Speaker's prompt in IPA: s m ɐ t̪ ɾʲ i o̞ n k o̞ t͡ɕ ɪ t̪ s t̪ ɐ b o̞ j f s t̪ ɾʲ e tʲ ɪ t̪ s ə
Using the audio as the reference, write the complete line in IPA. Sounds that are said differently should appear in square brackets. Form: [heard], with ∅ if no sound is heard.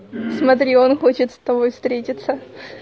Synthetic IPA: s m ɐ t̪ ɾʲ i o̞ n [x] o̞ t͡ɕ ɪ t̪ s t̪ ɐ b o̞ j f s t̪ ɾʲ e tʲ ɪ t̪ s ə

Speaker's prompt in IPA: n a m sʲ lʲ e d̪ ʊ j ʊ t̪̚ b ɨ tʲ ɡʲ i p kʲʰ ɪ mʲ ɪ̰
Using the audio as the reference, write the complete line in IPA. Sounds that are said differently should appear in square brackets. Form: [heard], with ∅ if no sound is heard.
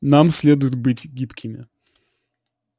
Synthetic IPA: n a m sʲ lʲ e d̪ ʊ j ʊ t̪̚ b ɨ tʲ ɡʲ i p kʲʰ ɪ mʲ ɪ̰

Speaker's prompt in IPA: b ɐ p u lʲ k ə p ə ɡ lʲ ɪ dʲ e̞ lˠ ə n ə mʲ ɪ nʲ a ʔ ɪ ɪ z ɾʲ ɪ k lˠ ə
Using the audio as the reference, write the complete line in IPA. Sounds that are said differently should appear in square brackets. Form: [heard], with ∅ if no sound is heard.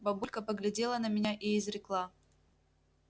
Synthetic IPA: b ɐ [b] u lʲ k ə p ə ɡ lʲ ɪ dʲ e̞ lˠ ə n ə mʲ ɪ nʲ a ʔ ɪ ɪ z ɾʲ ɪ k lˠ [a]

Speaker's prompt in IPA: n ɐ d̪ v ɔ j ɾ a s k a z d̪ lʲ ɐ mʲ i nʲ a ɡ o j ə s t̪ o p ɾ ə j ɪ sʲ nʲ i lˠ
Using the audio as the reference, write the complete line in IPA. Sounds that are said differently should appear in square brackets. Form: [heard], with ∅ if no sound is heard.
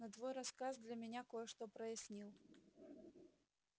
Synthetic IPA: n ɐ d̪ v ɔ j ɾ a s k a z d̪ lʲ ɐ mʲ [ɪ] nʲ a [k] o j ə [ʂ] t̪ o p ɾ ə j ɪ sʲ nʲ i lˠ

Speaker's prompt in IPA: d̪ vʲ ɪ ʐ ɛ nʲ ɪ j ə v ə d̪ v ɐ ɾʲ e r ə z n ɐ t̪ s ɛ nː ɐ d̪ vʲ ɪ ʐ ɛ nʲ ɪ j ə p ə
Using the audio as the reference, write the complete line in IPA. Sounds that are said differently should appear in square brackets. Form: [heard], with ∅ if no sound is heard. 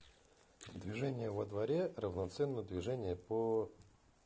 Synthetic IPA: d̪ vʲ ɪ ʐ ɛ nʲ ɪ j ə v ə d̪ v ɐ ɾʲ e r ə [v] n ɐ t̪ s ɛ nː [ə] d̪ vʲ ɪ ʐ ɛ nʲ ɪ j ə p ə

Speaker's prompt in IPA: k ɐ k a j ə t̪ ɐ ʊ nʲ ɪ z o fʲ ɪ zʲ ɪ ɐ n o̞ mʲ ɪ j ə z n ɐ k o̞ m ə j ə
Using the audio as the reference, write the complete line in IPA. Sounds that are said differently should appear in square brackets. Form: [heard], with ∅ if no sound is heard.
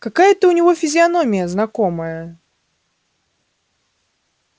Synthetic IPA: k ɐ k a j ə t̪ [ə] ʊ nʲ ɪ [v] o fʲ ɪ zʲ ɪ ɐ n o̞ mʲ ɪ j ə z n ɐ k o̞ m ə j ə

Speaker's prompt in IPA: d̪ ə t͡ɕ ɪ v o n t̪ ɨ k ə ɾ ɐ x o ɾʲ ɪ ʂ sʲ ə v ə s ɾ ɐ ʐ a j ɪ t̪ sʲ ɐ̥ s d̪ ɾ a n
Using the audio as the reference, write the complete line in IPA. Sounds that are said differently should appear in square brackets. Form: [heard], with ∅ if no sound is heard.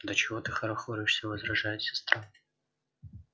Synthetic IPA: d̪ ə t͡ɕ ɪ v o [∅] t̪ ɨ [x] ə ɾ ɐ x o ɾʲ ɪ ʂ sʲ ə v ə [z] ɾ ɐ ʐ a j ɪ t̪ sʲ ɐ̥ s [t̪] ɾ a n

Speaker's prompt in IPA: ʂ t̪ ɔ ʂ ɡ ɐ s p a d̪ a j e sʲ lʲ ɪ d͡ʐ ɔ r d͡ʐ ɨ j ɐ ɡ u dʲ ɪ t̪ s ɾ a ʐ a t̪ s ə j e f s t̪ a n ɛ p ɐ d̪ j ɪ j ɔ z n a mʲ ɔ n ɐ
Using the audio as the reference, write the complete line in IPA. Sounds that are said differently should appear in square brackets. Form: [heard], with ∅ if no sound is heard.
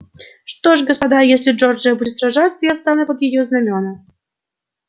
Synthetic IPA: ʂ t̪ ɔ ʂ ɡ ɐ s p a d̪ a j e sʲ lʲ ɪ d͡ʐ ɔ r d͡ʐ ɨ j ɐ [b] u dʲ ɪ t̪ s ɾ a ʐ a t̪ s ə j [a] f s t̪ a n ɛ p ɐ d̪ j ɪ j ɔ z n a mʲ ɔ n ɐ

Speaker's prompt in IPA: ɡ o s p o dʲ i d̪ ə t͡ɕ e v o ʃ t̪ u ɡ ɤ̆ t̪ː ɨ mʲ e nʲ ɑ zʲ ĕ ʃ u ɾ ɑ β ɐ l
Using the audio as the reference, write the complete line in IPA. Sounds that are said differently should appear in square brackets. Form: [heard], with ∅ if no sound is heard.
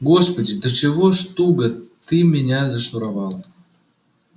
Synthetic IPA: ɡ o s p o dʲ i d̪ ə t͡ɕ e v o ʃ t̪ u ɡ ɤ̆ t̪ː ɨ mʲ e nʲ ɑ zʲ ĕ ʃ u ɾ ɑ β [ɑ] l

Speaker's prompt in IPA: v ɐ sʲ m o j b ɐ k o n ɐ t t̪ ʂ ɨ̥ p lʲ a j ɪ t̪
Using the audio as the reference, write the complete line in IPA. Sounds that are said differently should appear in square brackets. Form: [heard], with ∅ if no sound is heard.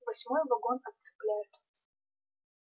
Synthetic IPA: v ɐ sʲ m o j [v] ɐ [ɡ] o n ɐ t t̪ [s] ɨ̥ p lʲ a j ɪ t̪

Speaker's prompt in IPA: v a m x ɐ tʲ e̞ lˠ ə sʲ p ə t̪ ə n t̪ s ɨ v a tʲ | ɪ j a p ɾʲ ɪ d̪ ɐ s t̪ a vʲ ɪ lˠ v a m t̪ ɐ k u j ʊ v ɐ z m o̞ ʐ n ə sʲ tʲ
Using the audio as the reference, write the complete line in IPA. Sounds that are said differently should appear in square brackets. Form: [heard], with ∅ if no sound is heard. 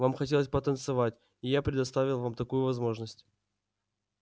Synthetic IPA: v a m x ɐ tʲ e̞ lˠ ə sʲ p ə t̪ ə n t̪ s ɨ v a tʲ | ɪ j a p ɾʲ ɪ d̪ ɐ s t̪ a vʲ ɪ lˠ v a m t̪ ɐ k u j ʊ v ɐ z m o̞ ʐ n ə sʲ tʲ

